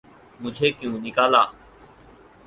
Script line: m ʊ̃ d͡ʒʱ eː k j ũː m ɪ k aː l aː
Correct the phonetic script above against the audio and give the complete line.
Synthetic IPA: m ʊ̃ d͡ʒʱ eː k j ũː n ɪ k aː l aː